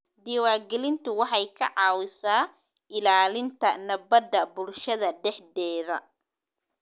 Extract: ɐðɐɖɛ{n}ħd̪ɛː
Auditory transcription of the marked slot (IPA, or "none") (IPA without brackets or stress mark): none